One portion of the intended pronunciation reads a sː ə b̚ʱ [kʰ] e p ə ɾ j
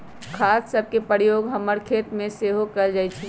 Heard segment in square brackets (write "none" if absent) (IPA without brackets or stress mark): k